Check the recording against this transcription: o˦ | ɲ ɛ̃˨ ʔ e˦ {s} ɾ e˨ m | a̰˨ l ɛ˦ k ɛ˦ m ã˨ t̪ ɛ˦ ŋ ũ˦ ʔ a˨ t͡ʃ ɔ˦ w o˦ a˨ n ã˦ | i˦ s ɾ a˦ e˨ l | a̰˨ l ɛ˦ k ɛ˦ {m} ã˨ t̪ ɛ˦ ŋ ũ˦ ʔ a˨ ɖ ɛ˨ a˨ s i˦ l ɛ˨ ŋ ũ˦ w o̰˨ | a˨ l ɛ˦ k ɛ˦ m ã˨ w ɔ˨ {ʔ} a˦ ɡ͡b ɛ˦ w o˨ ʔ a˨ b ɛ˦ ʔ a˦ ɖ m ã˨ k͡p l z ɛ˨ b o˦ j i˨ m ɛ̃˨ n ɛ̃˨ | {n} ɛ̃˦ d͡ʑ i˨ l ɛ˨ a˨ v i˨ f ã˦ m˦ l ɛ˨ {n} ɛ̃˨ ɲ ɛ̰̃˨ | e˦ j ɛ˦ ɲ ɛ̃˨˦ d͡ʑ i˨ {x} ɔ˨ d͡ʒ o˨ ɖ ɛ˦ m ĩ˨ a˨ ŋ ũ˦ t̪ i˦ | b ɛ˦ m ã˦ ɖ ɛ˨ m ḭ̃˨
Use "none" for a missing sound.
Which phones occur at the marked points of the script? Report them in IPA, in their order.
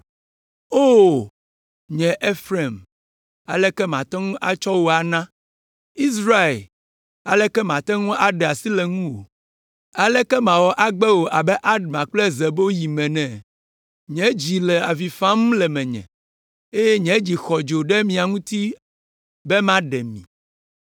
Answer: f, m, ʔ, ɲ, m, x

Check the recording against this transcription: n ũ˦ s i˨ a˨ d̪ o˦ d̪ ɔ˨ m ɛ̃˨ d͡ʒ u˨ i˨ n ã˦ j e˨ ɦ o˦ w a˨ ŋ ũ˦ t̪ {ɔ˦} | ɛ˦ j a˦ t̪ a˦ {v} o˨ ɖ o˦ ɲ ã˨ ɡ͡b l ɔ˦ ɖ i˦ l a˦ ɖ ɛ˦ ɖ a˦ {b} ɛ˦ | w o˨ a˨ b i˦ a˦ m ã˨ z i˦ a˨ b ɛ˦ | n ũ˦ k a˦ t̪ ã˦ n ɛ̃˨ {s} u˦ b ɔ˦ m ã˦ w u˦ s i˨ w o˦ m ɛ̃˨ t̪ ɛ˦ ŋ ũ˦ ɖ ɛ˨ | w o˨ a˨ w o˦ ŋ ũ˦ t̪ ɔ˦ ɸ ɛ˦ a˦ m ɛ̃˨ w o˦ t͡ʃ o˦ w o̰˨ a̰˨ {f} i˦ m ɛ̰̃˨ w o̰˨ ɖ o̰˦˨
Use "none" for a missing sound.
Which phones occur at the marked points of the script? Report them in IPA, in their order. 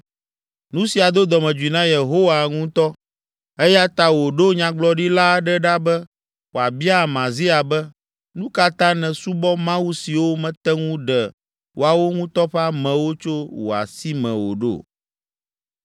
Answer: ɔ˦, w, b, s, s

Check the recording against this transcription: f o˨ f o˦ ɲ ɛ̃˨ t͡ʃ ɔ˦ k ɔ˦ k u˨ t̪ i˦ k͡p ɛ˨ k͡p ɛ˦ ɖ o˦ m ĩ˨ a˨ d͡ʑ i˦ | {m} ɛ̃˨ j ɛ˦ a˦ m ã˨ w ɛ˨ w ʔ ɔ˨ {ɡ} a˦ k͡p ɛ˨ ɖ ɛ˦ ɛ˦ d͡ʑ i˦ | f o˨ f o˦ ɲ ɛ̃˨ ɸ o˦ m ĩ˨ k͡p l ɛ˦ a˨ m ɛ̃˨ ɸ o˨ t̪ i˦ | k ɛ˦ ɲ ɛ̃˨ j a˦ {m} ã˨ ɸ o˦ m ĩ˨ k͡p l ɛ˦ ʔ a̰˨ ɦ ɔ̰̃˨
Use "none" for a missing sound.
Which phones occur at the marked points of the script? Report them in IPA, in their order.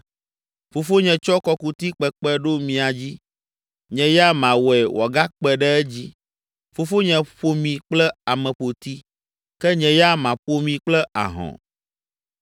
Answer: ɲ, ɡ, m

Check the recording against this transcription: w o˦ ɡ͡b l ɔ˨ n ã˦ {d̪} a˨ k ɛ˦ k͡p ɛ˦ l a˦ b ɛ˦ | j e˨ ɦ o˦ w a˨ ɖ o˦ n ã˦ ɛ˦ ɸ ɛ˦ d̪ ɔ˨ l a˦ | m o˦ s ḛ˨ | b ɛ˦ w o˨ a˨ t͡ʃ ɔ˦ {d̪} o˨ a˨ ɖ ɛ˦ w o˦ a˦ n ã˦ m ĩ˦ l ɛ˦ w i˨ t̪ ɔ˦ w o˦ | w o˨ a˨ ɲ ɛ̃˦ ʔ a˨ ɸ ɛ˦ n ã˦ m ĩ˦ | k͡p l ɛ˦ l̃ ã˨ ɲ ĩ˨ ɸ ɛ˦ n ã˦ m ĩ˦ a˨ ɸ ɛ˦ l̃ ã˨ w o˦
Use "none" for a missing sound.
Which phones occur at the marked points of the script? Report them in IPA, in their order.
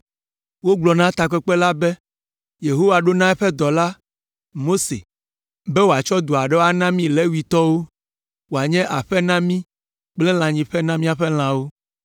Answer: t̪, d̪

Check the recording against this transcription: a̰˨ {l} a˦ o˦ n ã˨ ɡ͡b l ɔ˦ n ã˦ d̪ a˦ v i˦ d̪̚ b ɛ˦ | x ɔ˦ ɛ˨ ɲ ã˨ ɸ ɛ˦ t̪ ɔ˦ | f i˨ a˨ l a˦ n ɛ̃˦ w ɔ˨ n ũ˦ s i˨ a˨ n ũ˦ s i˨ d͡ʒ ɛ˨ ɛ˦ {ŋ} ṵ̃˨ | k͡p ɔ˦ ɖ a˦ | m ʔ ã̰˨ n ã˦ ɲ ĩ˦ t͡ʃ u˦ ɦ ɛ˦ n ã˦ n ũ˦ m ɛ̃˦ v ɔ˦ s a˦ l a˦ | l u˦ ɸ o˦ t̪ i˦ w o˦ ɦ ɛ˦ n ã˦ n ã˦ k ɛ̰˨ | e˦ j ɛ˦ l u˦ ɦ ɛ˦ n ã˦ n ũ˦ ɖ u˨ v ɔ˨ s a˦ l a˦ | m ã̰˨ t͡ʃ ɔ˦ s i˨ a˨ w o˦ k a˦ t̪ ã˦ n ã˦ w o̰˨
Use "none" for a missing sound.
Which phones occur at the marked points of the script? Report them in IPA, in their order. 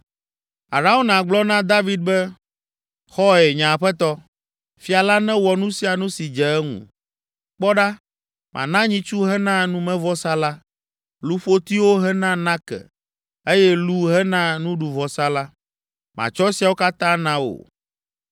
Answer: ɾ, ŋ

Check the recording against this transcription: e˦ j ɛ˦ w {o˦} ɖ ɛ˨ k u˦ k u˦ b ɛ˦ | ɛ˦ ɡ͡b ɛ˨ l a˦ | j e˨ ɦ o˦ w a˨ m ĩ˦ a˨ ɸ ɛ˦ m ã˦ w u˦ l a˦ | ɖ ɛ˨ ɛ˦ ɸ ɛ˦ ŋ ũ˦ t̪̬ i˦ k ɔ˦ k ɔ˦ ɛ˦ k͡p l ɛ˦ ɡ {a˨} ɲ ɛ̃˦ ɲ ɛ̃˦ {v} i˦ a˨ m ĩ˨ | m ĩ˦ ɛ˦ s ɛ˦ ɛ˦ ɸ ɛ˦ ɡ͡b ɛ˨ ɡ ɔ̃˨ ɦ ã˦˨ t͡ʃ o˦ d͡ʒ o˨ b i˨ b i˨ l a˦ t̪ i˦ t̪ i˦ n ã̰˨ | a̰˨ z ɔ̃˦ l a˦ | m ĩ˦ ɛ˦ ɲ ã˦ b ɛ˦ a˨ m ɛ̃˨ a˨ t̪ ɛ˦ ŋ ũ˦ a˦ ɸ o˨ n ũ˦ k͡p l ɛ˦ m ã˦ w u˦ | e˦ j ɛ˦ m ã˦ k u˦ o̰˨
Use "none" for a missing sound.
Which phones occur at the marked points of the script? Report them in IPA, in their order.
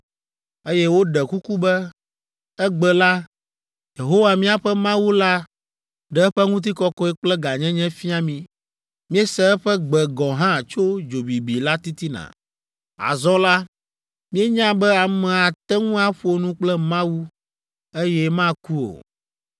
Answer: o˦, a˨, f

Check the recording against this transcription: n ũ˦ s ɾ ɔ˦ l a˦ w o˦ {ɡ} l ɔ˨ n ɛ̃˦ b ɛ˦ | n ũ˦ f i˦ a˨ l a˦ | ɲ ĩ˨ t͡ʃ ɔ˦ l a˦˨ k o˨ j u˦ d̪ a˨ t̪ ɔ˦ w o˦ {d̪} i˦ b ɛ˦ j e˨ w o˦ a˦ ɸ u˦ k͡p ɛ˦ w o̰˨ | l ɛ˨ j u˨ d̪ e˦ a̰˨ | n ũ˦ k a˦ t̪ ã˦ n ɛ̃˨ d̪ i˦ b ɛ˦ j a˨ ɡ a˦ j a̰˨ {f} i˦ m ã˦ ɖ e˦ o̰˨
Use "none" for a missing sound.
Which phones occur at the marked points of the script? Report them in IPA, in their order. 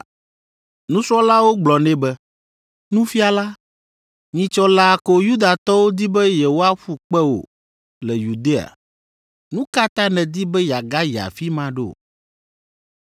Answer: ɡ͡b, d̪, f

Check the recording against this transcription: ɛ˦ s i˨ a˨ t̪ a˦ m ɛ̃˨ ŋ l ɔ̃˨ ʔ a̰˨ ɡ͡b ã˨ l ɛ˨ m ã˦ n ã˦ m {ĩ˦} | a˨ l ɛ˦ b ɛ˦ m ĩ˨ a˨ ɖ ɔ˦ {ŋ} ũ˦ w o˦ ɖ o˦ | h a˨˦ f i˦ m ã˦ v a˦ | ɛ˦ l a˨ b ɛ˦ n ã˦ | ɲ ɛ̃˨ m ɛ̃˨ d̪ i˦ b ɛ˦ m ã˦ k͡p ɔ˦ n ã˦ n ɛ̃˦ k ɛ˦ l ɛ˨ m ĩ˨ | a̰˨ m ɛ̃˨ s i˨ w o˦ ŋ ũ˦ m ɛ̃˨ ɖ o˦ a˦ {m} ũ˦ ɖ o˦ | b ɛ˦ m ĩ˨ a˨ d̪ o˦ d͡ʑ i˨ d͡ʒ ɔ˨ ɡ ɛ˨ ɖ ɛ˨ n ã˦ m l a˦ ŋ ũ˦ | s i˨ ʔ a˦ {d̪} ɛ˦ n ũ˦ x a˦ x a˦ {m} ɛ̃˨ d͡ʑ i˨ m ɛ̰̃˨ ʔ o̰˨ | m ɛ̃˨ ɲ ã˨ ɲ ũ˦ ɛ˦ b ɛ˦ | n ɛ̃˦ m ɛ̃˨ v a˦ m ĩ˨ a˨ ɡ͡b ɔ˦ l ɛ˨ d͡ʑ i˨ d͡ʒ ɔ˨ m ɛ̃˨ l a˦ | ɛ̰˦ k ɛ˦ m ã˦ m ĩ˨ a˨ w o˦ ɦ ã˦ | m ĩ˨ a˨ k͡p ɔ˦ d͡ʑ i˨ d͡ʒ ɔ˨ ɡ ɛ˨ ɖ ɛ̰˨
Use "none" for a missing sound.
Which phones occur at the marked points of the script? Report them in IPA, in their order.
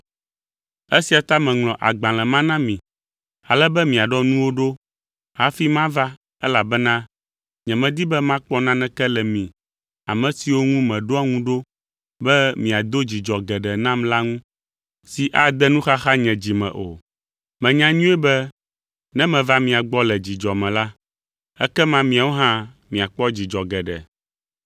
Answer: ĩ˨, n, ŋ, d̪, ɲ

